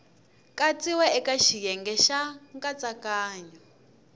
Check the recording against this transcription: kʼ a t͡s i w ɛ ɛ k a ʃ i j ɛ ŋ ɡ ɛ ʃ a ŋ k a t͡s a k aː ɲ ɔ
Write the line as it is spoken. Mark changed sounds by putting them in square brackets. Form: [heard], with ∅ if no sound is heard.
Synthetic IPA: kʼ a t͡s i w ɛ ɛ k a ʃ i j ɛ ŋ ɡ ɛ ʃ a ŋ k a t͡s a k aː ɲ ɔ